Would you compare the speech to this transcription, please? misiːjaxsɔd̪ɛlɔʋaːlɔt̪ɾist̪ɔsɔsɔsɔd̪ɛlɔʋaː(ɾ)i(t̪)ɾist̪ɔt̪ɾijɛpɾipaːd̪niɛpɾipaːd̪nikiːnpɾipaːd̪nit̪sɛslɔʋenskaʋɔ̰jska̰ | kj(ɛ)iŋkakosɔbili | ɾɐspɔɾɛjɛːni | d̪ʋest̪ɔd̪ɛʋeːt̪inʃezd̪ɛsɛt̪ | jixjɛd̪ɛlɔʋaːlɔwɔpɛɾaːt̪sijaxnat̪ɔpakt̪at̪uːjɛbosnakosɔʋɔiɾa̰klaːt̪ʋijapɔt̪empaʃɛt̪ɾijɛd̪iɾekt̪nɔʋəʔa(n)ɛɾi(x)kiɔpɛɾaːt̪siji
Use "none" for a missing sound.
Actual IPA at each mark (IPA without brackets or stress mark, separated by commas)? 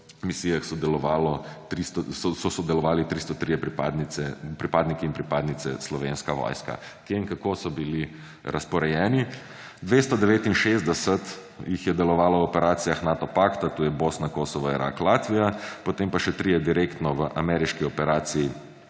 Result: l, t̪, e, m, ʃ